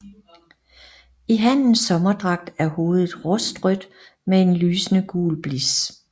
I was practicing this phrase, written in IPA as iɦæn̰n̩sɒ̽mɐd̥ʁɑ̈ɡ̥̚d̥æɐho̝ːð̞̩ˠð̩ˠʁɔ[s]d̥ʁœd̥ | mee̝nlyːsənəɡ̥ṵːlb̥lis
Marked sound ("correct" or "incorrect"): correct